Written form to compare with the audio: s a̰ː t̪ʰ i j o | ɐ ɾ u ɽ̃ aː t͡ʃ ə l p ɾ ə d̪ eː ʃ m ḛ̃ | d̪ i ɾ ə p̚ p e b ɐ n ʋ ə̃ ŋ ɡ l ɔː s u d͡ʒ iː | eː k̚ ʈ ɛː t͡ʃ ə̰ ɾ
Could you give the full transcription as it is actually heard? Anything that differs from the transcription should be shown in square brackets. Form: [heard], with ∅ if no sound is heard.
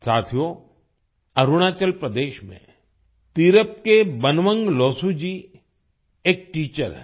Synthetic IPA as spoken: s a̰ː t̪ʰ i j o | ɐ ɾ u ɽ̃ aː t͡ʃ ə l p ɾ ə d̪ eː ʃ m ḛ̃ | [t̪] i ɾ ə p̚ [k] e b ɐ n ʋ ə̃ ŋ ɡ l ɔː s u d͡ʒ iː | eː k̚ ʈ [iː] t͡ʃ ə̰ ɾ